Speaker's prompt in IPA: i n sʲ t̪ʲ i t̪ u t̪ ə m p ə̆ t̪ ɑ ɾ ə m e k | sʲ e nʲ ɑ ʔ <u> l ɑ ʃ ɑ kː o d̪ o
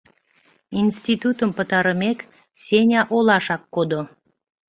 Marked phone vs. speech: incorrect: o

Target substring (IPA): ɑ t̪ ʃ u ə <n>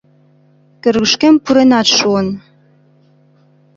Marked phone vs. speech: correct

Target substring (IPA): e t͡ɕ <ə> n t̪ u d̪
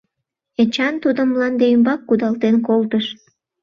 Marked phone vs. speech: incorrect: ɑ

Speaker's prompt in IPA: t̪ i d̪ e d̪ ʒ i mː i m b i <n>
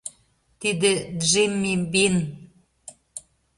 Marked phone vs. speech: correct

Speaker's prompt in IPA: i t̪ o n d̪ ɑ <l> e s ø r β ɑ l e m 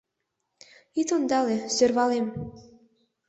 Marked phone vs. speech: correct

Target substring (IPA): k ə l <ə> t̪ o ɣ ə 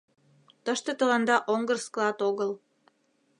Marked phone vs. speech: incorrect: ɑ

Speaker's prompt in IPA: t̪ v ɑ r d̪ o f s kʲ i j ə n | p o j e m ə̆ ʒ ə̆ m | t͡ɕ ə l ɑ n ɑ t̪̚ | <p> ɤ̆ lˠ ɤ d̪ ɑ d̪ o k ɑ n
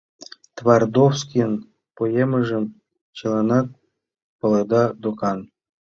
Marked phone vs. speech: correct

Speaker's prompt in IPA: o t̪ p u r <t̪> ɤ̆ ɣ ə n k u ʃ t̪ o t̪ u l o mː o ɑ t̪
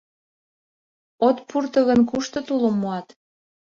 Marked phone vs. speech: correct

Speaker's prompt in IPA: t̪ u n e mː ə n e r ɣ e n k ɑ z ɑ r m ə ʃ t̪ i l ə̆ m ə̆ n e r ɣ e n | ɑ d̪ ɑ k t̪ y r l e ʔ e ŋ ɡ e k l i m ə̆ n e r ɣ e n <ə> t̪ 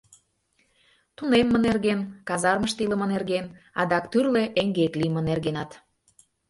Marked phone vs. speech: incorrect: ɑ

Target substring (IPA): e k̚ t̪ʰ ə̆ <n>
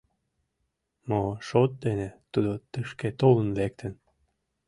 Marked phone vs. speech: correct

